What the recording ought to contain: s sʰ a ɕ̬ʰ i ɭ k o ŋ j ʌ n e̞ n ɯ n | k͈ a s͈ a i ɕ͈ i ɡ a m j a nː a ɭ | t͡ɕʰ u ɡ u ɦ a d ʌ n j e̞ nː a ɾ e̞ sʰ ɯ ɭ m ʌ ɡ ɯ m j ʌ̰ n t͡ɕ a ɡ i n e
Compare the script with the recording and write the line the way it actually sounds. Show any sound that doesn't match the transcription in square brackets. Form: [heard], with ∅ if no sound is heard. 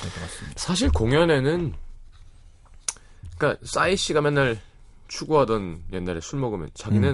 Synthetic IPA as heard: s sʰ a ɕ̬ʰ i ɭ k o ŋ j ʌ n e̞ n ɯ n | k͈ a s͈ a i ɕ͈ i ɡ a m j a nː a ɭ | t͡ɕʰ u ɡ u ɦ a d ʌ n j e̞ nː a ɾ e̞ sʰ [u] ɭ m ʌ ɡ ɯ m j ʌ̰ n t͡ɕ a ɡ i n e